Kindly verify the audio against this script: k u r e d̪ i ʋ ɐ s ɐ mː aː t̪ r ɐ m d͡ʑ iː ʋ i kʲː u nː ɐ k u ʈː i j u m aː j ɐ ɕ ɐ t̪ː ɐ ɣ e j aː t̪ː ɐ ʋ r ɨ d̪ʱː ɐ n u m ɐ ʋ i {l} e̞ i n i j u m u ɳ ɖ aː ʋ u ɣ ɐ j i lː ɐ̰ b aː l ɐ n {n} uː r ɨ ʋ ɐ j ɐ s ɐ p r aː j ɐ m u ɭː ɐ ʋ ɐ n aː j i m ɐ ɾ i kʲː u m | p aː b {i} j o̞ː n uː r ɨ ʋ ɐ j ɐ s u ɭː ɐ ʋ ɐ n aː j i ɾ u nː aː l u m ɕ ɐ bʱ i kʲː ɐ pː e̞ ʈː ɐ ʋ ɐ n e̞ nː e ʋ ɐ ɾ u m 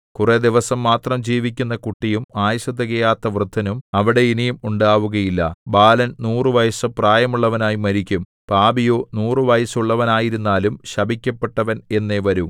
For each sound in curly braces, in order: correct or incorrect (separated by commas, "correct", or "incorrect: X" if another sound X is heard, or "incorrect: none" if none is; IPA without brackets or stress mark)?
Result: incorrect: ɽ, correct, correct